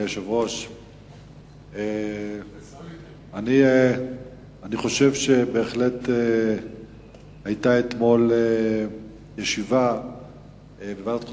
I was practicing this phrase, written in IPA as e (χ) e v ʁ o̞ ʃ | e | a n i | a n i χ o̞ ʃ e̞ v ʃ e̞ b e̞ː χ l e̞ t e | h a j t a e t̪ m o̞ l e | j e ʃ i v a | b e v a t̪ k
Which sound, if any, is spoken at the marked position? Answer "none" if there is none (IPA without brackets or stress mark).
ʃ